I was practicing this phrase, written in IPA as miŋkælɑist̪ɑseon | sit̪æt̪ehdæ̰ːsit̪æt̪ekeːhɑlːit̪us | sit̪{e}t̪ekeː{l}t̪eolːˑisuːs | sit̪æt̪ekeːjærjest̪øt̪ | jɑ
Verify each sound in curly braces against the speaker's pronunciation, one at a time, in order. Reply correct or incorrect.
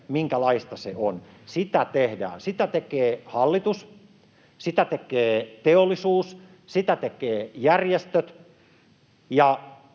incorrect: æ, incorrect: none

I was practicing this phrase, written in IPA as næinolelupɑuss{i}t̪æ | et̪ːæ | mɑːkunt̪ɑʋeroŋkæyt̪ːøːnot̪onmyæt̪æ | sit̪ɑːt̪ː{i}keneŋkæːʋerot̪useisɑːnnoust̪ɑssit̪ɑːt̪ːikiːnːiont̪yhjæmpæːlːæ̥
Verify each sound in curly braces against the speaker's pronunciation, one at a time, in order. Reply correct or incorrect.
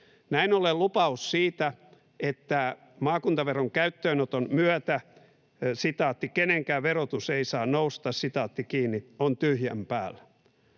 incorrect: iː, correct

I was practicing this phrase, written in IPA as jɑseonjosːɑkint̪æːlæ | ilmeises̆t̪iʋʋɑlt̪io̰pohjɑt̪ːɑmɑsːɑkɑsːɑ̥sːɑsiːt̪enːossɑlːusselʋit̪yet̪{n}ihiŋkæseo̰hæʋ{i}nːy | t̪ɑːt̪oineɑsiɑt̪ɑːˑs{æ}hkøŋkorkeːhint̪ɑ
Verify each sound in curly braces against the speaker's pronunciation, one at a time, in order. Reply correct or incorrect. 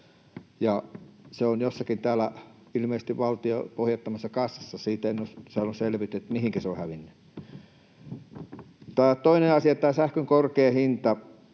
incorrect: m, correct, correct

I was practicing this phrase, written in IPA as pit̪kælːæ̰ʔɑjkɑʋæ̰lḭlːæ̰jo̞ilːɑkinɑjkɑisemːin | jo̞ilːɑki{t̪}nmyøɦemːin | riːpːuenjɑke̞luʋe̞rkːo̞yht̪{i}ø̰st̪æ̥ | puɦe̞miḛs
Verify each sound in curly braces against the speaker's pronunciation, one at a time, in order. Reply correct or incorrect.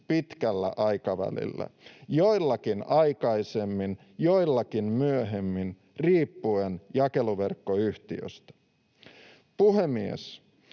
incorrect: none, correct

